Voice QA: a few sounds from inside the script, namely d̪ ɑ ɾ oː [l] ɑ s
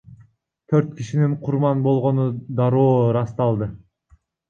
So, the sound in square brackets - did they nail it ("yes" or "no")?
no